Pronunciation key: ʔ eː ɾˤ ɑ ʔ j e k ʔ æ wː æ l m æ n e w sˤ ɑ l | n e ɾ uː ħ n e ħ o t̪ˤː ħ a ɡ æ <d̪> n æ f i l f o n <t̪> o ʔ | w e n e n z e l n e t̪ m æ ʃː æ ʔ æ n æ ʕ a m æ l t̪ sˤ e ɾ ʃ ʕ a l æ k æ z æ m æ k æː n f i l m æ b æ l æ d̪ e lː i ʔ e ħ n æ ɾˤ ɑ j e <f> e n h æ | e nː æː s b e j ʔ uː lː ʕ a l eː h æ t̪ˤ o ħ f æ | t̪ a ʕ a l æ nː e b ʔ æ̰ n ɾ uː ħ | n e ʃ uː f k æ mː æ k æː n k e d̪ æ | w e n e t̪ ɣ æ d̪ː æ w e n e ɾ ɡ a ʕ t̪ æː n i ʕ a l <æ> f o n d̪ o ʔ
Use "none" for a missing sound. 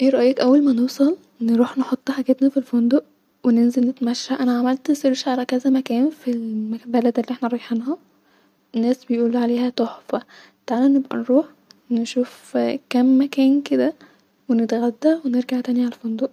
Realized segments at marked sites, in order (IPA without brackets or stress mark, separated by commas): t̪, d̪, ħ, æ